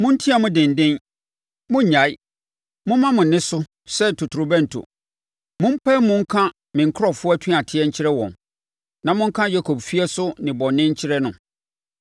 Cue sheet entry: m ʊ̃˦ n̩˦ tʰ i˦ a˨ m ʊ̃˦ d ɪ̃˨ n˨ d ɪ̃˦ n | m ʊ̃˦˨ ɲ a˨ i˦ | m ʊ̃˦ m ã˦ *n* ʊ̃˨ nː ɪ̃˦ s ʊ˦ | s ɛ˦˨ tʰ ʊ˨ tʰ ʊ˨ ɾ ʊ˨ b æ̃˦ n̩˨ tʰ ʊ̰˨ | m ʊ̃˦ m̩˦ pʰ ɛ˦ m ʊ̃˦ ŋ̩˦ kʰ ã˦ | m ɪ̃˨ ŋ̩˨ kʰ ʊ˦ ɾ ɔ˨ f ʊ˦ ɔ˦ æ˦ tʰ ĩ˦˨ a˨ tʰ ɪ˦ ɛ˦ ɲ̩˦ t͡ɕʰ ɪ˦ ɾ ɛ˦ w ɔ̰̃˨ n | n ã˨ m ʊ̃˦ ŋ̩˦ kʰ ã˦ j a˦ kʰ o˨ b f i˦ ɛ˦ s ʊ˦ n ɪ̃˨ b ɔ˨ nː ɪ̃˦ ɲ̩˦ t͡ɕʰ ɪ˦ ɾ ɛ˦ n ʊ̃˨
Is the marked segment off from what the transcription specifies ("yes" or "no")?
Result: yes